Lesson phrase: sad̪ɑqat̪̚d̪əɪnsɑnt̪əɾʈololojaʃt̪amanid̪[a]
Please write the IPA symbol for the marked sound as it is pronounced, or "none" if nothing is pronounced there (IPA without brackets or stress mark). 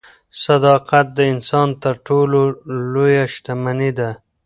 a